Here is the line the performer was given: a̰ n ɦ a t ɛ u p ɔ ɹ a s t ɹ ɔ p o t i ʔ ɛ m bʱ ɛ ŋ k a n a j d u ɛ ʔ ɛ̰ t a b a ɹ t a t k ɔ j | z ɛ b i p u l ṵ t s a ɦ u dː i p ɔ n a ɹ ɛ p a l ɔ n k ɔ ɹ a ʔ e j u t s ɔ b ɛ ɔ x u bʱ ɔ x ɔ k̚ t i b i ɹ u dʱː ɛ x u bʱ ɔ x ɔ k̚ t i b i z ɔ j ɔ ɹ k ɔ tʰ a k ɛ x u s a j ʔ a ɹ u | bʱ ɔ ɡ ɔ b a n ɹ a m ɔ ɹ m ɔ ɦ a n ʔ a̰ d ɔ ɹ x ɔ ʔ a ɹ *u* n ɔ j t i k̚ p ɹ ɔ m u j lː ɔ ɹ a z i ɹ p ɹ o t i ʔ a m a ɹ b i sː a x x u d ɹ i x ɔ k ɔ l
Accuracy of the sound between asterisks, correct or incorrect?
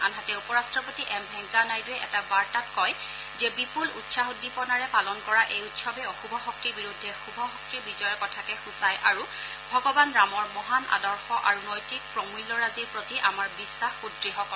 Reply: correct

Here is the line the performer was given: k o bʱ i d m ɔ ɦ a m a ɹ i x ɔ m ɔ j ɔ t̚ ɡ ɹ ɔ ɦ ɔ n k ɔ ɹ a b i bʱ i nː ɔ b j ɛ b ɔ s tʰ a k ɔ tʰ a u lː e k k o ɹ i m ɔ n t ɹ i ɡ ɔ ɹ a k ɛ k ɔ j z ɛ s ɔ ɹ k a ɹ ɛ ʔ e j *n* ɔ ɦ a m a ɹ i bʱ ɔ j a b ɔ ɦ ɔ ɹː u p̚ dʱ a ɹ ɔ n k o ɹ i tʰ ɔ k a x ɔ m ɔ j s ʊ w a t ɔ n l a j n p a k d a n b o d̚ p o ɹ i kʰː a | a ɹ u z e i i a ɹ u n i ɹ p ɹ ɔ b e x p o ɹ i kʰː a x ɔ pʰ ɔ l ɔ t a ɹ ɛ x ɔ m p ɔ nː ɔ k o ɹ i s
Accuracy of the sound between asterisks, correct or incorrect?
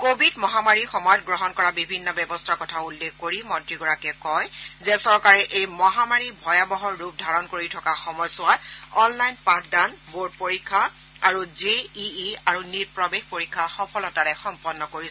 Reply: incorrect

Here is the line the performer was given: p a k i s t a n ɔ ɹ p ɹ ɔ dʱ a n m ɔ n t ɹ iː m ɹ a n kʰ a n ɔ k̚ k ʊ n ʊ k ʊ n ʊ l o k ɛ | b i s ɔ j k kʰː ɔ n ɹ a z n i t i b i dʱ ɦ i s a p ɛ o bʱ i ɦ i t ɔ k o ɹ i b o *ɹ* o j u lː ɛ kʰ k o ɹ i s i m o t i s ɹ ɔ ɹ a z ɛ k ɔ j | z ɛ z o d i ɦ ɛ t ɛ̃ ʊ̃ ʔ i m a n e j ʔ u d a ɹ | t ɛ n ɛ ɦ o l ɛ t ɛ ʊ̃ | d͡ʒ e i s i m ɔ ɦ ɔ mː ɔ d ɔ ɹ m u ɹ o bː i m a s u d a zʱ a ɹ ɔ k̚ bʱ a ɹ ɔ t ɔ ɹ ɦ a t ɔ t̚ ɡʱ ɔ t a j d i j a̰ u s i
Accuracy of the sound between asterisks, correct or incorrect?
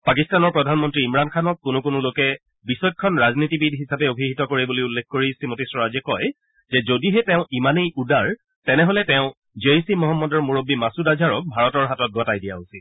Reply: incorrect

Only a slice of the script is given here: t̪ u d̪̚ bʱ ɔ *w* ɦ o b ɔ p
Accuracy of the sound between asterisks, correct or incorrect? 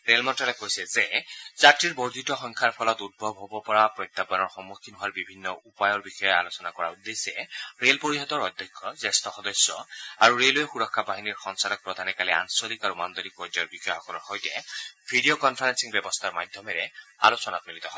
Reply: incorrect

